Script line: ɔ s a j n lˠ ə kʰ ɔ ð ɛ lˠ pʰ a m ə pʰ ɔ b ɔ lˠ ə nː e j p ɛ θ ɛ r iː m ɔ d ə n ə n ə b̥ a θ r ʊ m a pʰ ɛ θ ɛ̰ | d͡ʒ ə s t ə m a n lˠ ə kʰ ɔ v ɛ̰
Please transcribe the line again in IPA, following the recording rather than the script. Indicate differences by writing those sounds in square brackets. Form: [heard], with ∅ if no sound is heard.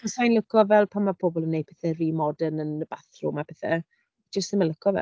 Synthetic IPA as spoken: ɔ s a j n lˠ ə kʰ ɔ [v] ɛ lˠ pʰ a m [a] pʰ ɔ b ɔ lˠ ə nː e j p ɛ θ ɛ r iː m ɔ d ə n ə n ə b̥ a θ r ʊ m a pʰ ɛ θ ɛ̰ | d͡ʒ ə s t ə m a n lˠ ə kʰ ɔ v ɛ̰